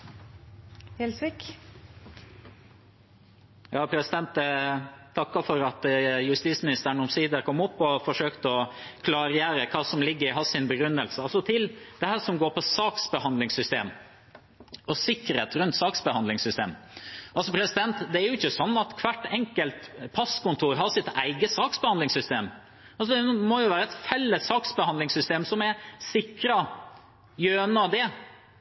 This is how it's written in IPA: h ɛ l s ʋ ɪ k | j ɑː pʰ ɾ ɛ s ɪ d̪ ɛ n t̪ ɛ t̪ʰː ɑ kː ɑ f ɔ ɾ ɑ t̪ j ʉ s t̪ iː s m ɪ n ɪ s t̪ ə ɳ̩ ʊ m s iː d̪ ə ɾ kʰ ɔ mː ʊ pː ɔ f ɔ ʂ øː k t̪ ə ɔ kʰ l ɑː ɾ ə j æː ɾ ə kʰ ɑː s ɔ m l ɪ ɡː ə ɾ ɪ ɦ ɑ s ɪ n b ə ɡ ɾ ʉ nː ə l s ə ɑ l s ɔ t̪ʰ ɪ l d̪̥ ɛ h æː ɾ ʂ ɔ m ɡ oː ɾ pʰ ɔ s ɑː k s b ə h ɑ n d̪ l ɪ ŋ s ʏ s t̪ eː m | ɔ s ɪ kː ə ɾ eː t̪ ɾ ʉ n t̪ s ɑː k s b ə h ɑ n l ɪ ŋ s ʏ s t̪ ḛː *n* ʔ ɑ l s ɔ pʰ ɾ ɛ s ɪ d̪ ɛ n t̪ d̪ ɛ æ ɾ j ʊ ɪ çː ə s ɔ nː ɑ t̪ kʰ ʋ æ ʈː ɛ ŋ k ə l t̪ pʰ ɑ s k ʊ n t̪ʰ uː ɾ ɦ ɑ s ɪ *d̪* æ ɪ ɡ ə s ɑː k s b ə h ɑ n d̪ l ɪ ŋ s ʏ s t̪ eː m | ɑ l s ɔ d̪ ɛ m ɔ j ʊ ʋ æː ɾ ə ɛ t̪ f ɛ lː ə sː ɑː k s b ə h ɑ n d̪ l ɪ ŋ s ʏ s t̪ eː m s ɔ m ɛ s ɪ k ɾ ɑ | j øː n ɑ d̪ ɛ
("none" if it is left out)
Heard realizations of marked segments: m, t̪

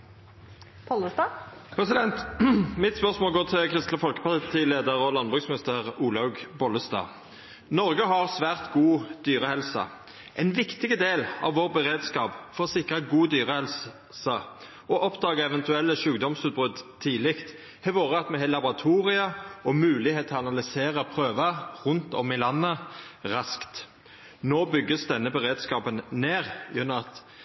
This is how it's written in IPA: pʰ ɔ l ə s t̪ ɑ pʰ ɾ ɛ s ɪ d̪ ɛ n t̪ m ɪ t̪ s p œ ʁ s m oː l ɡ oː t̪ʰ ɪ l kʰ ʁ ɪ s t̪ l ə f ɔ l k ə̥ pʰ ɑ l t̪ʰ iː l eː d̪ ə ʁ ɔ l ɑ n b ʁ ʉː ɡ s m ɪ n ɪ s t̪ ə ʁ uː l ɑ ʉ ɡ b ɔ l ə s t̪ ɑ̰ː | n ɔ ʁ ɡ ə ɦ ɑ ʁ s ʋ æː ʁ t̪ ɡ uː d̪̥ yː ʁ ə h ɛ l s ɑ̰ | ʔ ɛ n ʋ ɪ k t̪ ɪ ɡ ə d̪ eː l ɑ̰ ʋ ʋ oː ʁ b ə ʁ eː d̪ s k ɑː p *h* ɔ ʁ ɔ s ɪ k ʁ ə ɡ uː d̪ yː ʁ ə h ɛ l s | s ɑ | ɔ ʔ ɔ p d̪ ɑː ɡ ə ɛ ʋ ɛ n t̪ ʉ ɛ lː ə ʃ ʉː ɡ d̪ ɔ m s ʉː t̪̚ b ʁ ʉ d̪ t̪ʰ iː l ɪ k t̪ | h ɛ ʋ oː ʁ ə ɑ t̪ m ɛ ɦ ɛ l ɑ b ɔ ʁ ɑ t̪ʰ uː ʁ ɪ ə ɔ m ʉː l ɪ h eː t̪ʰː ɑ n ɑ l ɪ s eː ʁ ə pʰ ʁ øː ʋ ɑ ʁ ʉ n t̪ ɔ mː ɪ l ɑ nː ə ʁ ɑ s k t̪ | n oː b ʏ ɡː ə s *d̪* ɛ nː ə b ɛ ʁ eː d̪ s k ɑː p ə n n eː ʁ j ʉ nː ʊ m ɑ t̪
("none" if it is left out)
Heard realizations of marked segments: f, d̪

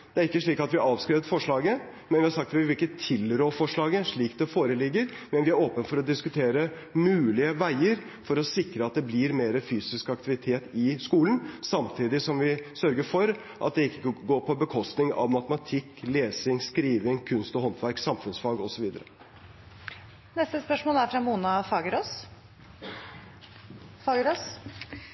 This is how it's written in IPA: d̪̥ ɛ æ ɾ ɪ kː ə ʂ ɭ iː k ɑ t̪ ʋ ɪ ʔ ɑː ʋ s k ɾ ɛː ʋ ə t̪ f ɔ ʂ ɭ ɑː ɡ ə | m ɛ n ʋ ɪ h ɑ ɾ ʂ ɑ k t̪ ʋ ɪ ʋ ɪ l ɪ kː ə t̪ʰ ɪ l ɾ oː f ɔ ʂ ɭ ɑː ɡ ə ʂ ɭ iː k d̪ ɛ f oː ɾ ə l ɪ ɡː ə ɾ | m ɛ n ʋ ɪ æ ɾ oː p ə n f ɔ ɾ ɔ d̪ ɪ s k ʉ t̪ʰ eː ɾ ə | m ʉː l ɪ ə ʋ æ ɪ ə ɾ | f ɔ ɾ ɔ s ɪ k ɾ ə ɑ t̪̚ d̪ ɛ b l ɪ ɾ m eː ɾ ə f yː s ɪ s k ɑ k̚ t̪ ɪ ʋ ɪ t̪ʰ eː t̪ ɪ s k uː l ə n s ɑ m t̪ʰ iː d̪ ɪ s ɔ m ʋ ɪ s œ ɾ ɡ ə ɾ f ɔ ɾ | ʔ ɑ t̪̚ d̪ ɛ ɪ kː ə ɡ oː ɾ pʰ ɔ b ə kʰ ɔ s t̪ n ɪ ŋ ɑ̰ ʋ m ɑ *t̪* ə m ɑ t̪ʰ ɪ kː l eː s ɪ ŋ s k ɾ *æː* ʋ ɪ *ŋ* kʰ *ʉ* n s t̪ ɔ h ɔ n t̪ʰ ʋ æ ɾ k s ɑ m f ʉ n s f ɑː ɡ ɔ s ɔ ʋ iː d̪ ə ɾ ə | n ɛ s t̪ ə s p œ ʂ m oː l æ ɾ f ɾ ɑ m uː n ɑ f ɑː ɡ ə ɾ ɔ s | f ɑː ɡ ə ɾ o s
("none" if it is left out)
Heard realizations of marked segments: t̪, iː, ŋ, ʉ

